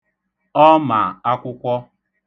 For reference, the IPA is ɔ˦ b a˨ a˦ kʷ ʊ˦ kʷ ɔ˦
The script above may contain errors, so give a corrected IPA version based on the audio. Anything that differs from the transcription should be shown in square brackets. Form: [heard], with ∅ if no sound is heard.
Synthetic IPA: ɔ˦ [m] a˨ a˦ kʷ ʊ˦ kʷ ɔ˦

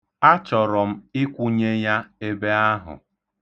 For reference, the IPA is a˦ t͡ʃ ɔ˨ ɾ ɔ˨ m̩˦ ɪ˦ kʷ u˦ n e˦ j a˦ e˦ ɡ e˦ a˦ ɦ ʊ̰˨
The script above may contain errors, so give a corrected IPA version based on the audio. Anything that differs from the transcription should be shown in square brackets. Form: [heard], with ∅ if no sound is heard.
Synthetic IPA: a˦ t͡ʃ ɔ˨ ɾ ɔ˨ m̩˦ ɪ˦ kʷ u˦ [ɲ] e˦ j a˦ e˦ [b] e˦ a˦ ɦ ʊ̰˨

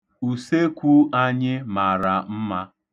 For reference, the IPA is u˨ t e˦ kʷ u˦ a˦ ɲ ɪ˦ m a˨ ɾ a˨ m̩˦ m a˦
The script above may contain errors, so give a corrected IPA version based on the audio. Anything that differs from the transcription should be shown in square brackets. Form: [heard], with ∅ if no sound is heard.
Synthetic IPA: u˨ [s] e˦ kʷ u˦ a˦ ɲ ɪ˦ m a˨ ɾ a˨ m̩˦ m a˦

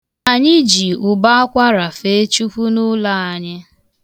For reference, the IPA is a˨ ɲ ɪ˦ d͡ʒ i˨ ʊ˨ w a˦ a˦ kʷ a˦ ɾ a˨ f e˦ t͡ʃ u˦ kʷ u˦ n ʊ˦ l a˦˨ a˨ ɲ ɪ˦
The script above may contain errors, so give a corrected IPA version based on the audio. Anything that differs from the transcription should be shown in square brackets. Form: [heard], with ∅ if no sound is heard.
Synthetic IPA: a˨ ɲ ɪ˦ d͡ʒ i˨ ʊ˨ [b] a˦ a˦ kʷ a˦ ɾ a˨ f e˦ t͡ʃ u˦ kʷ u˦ n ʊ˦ l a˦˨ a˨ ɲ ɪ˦

